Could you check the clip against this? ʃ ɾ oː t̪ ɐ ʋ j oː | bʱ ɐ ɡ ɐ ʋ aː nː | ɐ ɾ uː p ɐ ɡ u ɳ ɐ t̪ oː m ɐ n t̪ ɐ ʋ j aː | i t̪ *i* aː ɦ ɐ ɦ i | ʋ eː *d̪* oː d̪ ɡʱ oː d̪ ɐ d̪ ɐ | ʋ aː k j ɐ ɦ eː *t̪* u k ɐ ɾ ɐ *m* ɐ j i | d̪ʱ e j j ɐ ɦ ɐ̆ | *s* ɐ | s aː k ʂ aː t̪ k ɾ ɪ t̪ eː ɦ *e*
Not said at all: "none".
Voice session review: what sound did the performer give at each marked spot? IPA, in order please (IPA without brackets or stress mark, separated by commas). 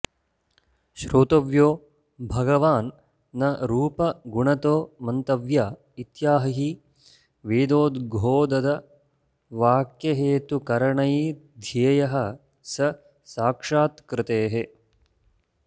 j, d̪, t̪, ɳ, s, e